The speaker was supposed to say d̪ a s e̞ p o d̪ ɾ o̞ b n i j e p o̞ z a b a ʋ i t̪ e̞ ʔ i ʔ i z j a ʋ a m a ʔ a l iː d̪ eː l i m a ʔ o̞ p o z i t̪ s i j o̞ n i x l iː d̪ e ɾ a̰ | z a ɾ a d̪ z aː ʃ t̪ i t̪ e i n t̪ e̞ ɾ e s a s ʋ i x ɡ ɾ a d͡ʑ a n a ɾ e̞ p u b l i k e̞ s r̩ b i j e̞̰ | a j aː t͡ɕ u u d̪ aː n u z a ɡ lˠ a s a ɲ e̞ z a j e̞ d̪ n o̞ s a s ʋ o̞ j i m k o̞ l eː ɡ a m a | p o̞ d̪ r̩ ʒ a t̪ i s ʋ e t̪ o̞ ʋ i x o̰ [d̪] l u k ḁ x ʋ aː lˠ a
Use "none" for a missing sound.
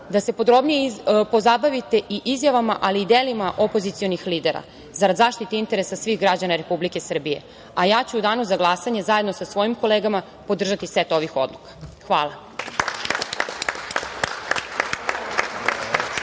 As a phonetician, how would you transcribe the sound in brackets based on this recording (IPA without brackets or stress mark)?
d̪